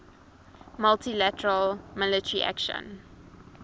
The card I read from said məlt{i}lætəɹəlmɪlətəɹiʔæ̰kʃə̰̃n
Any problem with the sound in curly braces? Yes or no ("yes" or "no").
no